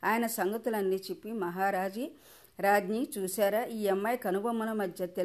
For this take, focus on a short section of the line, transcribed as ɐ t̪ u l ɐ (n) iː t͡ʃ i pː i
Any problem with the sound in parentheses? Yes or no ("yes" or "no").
yes